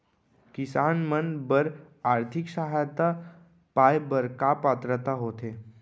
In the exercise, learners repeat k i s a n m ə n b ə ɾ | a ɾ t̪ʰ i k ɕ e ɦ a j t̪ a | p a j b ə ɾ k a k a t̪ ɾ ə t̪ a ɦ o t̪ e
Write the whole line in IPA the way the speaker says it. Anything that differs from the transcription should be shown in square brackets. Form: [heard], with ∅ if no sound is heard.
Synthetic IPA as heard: k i s a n m ə n b ə ɾ | a ɾ t̪ʰ i k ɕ [a] ɦ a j t̪ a | p a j b ə ɾ k a [p] a t̪ ɾ ə t̪ a ɦ o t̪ e